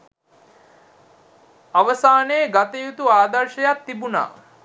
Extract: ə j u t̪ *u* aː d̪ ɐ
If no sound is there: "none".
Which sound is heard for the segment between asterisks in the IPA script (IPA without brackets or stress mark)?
u